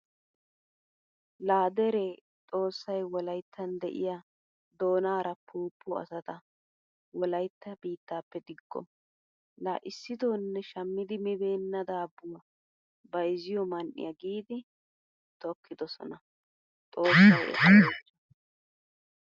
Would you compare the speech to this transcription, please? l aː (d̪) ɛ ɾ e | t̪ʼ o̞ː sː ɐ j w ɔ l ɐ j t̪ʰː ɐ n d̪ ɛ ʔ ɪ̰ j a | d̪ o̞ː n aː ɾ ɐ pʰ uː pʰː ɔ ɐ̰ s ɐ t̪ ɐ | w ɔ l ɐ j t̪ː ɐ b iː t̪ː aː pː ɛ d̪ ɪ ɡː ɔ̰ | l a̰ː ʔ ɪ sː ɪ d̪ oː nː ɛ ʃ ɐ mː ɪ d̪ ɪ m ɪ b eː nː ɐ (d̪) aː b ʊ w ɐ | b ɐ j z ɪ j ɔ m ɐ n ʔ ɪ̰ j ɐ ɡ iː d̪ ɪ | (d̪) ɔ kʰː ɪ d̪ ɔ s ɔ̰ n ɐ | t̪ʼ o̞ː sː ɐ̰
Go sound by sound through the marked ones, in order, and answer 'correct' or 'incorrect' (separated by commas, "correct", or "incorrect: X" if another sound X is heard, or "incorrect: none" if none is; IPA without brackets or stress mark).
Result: correct, correct, incorrect: t̪